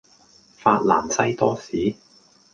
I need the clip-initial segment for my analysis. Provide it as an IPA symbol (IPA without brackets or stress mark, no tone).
f